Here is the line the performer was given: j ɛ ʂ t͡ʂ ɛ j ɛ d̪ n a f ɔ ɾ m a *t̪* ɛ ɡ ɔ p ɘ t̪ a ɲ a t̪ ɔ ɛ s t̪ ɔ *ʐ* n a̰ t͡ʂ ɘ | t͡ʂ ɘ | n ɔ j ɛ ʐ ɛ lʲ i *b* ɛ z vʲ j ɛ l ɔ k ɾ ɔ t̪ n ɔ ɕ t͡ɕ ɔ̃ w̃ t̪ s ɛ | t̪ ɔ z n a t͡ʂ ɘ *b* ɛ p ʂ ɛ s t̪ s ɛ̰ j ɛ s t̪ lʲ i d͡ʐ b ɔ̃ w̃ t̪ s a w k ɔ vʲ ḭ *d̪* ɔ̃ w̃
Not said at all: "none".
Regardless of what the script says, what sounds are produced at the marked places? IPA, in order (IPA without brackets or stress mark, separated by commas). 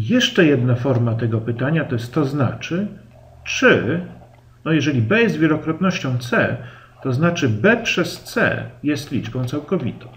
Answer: t̪, z, b, b, t̪